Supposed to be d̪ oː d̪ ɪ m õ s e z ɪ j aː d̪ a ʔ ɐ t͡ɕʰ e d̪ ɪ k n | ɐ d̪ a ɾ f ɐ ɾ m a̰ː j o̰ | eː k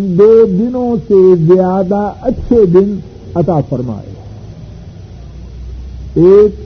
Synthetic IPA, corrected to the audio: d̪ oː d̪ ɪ n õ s e z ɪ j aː d̪ a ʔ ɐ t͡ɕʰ e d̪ ɪ n | ɐ t̪ a f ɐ ɾ m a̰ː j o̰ | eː k